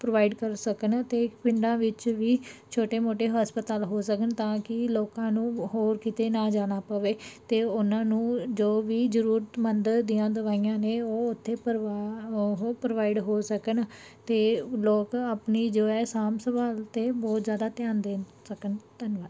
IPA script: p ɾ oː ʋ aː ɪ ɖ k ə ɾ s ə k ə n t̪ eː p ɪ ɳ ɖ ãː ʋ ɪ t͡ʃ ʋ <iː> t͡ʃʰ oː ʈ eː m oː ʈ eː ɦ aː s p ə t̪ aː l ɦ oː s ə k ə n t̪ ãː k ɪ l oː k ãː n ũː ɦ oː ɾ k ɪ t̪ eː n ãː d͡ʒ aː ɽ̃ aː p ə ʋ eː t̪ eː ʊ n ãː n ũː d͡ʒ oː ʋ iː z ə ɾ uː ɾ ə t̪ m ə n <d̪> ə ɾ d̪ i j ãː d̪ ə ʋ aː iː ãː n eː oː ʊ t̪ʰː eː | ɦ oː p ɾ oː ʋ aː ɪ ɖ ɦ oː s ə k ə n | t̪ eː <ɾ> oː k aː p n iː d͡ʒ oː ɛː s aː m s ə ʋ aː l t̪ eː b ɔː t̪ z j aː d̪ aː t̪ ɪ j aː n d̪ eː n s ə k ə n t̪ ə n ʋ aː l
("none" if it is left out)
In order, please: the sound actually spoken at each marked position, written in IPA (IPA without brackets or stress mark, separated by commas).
iː, d̪, l